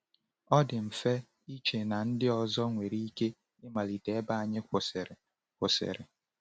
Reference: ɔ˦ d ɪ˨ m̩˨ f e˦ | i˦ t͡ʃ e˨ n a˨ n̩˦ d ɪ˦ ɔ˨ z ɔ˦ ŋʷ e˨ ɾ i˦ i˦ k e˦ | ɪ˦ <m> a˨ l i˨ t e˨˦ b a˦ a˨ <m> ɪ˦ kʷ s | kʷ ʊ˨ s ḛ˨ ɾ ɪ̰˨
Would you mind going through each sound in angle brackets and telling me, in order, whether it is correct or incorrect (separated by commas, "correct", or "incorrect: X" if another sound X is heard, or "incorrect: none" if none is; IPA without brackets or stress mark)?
correct, incorrect: ɲ